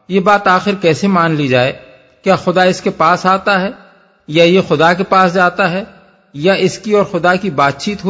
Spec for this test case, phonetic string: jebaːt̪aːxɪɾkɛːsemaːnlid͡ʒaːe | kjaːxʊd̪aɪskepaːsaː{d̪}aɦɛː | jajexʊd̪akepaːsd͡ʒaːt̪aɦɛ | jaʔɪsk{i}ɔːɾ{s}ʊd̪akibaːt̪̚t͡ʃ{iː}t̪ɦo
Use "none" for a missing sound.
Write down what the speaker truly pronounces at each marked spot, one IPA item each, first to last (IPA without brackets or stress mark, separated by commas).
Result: t̪, i, x, iː